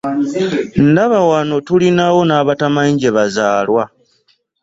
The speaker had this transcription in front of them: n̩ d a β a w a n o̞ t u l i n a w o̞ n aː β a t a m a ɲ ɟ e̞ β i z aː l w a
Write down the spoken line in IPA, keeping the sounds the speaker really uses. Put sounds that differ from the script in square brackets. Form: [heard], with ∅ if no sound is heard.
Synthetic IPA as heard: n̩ d a β a w a n o̞ t u l i n a w o̞ n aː β a t a m a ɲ ɟ e̞ β [a] z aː l w a